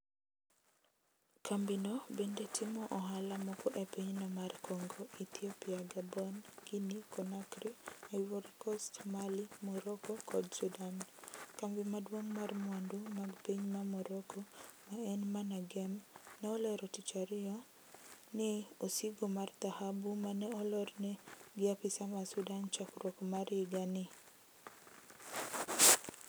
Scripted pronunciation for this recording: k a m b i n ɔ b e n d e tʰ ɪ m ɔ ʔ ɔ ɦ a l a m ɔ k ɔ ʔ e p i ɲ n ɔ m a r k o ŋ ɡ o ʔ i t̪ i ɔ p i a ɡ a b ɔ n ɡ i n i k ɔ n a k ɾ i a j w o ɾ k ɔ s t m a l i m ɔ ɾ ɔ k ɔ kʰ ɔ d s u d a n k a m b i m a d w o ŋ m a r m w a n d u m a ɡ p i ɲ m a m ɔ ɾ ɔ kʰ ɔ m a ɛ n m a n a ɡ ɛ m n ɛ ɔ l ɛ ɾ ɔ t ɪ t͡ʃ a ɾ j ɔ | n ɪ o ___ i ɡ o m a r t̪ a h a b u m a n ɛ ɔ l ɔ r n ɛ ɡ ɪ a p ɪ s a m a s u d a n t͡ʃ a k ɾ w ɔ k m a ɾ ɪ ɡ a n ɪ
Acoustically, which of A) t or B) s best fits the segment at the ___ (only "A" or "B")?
B